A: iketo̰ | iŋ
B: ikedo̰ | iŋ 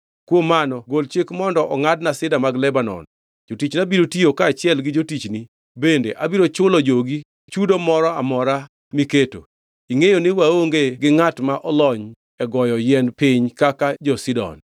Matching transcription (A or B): A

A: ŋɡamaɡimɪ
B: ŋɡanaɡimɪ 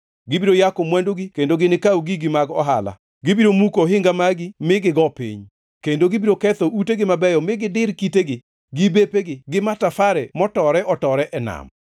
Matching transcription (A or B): A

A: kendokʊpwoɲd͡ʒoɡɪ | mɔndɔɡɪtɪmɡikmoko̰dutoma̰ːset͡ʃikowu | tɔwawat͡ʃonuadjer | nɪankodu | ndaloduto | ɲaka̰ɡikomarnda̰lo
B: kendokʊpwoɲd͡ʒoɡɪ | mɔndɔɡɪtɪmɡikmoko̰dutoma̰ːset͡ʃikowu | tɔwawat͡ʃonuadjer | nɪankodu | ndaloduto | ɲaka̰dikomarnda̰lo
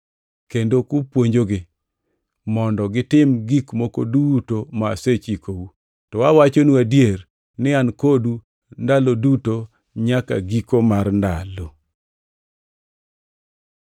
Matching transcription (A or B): A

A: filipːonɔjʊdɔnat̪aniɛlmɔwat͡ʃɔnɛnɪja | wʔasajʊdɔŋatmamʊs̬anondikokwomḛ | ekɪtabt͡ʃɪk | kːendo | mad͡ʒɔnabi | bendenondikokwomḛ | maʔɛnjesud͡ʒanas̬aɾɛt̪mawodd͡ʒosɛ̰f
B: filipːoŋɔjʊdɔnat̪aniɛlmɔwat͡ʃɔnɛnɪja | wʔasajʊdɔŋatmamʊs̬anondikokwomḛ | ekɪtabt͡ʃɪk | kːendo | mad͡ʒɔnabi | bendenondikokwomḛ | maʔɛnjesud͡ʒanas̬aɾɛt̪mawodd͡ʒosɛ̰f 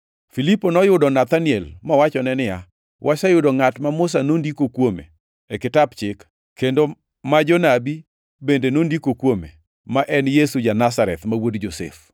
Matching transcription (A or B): A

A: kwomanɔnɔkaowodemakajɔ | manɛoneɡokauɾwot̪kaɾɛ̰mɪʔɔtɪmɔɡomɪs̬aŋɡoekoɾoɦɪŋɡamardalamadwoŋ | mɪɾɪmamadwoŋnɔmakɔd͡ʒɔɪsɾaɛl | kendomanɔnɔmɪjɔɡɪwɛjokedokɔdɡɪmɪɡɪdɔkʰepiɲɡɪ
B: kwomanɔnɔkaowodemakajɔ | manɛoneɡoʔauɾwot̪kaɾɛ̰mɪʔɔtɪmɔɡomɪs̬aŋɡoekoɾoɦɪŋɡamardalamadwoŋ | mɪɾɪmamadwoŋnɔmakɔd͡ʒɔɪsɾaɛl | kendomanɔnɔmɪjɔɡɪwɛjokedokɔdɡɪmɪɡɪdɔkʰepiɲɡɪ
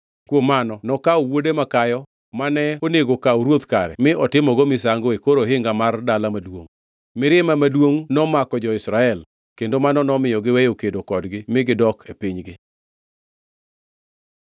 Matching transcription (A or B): A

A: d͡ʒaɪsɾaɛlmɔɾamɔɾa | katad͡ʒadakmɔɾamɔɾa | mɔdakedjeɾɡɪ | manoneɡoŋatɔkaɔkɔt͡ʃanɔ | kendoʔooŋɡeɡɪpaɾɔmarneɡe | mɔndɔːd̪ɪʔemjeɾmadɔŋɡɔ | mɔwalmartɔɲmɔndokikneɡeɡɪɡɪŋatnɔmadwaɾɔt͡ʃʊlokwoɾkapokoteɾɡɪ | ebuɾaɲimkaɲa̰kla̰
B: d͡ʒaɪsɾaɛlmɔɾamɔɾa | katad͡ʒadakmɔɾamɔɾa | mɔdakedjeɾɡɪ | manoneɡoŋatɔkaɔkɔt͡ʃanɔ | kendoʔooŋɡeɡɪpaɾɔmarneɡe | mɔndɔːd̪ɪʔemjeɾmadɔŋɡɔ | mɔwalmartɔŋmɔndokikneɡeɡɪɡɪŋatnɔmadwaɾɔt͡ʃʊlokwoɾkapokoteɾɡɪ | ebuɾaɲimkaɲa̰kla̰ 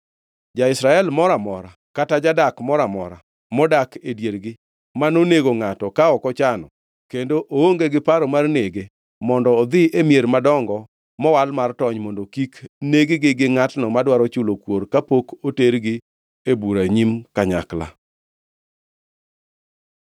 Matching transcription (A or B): A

